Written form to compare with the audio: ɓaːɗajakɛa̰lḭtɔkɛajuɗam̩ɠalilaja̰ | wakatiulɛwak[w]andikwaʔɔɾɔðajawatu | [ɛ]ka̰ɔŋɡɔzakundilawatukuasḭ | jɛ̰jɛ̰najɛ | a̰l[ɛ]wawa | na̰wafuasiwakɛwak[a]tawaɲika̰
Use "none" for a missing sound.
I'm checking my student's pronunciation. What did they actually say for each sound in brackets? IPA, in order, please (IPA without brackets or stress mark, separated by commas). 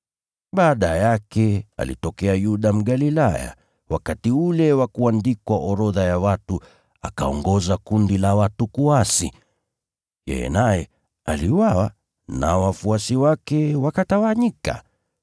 u, a, i, a